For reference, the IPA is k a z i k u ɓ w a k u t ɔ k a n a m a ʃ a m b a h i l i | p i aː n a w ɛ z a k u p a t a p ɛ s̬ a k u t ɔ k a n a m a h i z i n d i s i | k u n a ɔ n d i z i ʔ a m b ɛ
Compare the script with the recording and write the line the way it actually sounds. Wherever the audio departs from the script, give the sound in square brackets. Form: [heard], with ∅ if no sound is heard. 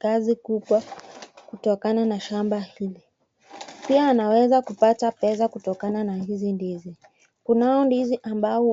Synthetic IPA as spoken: k a z i k u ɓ w a k u t ɔ k a n a [n] a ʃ a m b a h i l i | p i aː n a w ɛ z a k u p a t a p ɛ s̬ a k u t ɔ k a n a [n] a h i z i n d i [z] i | k u n a ɔ n d i z i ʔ a m b [a]